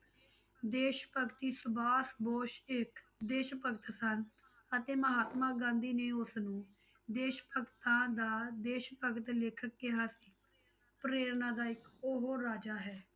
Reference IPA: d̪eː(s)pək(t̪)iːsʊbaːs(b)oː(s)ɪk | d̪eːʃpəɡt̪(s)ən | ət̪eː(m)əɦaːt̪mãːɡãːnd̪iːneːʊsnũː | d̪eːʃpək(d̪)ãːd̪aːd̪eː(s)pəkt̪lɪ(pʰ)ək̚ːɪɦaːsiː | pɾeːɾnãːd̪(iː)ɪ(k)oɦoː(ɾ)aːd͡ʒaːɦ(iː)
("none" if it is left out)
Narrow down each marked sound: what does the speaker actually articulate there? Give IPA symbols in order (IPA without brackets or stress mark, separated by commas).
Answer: ʃ, t̪, b, ʃ, s, m, t̪, ʃ, kʰ, aː, k, ɾ, ɛː